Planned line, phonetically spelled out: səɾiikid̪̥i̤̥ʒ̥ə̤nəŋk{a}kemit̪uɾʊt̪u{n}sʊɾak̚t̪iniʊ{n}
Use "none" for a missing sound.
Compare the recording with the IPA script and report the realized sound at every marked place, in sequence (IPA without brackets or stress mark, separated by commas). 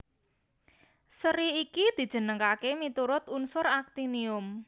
a, n, m